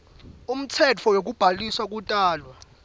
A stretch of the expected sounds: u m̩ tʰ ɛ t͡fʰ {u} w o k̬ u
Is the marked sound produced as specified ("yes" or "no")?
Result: no